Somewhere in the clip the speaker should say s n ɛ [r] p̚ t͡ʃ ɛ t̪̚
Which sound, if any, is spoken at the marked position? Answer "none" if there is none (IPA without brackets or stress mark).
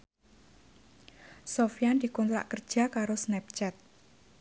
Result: none